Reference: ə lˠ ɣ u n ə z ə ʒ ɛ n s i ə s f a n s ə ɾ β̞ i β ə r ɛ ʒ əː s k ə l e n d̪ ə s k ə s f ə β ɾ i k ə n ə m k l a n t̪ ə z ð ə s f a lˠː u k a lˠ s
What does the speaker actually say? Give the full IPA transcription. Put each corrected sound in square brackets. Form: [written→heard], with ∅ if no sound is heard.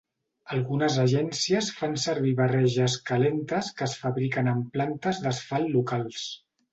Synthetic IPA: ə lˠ ɣ u n ə z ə ʒ ɛ n s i ə s f a n s ə ɾ β̞ i β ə r ɛ ʒ [əː→ə] s k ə l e n [d̪→t̪] ə s k ə s f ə β ɾ i k ə n ə m [k→p] l a n t̪ ə z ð ə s f a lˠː u k a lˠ s